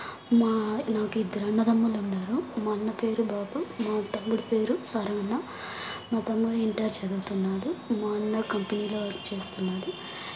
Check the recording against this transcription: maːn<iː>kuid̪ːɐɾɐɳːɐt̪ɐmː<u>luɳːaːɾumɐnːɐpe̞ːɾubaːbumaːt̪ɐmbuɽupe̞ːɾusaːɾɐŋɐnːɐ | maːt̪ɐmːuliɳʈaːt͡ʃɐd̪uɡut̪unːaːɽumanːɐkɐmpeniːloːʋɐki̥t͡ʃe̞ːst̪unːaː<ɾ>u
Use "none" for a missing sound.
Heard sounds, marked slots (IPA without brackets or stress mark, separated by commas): aː, u, ɽ